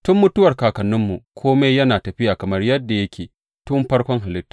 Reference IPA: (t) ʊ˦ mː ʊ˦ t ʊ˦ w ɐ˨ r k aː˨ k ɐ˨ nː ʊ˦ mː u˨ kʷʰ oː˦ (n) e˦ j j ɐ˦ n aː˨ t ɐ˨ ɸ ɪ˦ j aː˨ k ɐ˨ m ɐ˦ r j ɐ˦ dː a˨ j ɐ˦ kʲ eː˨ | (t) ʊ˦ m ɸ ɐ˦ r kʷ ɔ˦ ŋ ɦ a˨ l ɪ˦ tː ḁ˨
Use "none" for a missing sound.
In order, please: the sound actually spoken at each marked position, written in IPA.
t, m, t

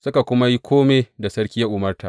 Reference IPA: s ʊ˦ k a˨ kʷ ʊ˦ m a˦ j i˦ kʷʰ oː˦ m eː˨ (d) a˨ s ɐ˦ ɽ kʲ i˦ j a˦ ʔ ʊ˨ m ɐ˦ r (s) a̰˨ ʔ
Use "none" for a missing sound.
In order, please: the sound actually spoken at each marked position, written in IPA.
d, t

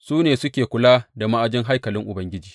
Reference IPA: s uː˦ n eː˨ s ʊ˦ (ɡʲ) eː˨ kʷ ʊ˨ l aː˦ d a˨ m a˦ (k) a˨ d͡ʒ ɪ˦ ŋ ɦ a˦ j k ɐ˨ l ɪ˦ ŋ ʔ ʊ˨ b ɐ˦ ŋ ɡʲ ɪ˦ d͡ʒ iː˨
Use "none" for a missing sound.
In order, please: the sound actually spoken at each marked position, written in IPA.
kʲ, ʔ

